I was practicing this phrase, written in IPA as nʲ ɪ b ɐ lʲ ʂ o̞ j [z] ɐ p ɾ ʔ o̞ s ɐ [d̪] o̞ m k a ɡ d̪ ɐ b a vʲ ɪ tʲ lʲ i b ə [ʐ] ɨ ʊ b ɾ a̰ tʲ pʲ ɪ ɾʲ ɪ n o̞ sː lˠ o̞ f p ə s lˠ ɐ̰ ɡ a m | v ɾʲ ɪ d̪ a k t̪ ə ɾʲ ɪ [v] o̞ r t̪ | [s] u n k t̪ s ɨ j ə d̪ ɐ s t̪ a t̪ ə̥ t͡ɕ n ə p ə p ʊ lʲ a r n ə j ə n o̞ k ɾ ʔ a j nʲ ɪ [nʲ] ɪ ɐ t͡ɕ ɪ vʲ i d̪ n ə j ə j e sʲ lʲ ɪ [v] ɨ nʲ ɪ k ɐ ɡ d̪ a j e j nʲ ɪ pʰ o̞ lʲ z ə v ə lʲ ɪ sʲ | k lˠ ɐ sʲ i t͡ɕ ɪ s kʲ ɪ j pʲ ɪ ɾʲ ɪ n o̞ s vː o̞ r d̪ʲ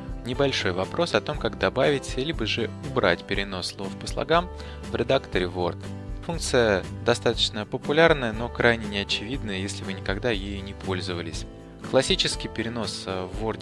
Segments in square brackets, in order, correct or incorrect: incorrect: v, incorrect: t̪, correct, correct, incorrect: f, correct, correct

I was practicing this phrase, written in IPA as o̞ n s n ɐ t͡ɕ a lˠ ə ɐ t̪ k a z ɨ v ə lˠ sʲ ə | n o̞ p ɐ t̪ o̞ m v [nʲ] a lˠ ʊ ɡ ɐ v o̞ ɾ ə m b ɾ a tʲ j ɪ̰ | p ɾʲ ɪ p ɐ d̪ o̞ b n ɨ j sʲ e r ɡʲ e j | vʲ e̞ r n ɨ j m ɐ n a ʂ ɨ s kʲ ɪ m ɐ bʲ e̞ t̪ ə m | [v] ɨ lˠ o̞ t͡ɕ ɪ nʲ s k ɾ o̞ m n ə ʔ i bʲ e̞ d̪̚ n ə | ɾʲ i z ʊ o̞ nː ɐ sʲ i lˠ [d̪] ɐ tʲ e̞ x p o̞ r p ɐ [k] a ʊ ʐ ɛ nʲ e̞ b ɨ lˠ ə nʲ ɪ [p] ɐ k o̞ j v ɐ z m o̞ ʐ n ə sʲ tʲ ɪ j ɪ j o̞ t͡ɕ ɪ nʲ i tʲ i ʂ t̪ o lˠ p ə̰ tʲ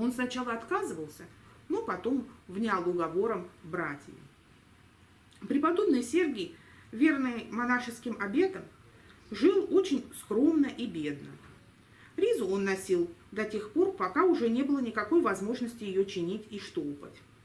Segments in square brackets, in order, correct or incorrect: correct, incorrect: ʐ, correct, correct, incorrect: k

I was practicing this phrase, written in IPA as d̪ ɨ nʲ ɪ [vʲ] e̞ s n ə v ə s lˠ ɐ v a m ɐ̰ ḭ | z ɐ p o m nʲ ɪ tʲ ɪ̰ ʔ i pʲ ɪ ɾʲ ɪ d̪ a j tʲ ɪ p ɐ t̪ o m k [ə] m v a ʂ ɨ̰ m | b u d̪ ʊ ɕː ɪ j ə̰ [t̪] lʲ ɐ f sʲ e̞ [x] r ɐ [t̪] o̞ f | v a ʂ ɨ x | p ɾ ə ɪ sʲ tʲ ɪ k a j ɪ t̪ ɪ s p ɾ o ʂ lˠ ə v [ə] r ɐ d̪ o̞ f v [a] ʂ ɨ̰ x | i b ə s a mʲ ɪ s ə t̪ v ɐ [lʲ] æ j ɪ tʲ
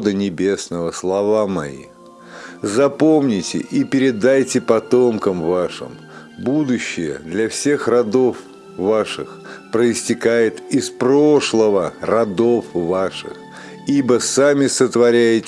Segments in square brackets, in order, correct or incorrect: incorrect: bʲ, correct, incorrect: d̪, correct, incorrect: d̪, correct, correct, incorrect: ɾʲ

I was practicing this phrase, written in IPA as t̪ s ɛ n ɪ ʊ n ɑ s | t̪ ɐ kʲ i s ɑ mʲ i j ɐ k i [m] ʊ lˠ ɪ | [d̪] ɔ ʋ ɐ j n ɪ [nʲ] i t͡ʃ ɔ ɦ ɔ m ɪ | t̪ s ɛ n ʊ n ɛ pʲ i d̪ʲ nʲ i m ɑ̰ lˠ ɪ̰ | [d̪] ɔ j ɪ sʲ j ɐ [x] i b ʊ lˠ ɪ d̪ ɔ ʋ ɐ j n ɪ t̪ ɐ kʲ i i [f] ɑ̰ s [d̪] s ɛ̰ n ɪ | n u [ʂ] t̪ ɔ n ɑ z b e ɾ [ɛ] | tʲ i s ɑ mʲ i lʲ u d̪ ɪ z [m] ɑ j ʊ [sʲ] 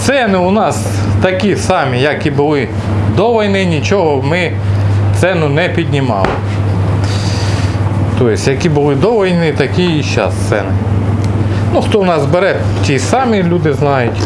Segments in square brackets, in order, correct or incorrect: incorrect: b, correct, correct, incorrect: t̪, incorrect: k, incorrect: ʃ, incorrect: t̪, incorrect: x, correct, incorrect: n, incorrect: tʲ

